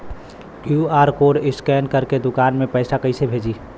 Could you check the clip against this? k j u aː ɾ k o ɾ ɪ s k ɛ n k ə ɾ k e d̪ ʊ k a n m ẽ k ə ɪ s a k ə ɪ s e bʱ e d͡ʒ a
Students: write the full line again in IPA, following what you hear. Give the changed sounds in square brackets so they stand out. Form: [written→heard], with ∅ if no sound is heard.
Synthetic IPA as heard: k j u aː ɾ k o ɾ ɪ s k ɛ n k ə ɾ k e d̪ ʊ k a n m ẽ [k→p] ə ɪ s a k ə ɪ s e bʱ e d͡ʒ [a→i]